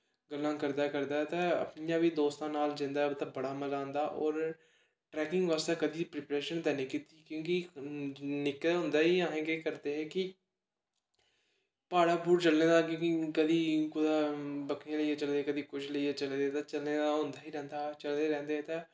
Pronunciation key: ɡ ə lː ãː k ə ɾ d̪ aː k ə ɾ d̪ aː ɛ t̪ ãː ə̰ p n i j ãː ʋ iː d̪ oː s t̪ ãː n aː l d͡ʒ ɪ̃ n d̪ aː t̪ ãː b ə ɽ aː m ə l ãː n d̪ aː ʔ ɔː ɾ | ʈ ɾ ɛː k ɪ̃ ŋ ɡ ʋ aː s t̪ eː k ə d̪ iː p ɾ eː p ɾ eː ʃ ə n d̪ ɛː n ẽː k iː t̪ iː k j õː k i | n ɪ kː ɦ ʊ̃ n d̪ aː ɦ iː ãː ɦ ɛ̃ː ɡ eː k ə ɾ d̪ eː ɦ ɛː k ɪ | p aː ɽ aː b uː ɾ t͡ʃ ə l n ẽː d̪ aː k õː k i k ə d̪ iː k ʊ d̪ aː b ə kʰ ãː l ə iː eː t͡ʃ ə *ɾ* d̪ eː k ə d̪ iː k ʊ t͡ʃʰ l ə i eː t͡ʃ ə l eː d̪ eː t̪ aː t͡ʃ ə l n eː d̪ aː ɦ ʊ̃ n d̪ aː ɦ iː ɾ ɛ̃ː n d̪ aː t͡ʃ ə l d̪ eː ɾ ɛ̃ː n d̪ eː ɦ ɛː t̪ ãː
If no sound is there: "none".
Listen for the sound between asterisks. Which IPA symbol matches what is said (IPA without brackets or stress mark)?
l